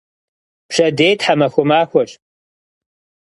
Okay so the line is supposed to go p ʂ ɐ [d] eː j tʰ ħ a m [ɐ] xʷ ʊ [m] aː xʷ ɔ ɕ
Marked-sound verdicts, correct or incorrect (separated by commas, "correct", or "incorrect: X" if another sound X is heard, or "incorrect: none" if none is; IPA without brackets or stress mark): correct, correct, correct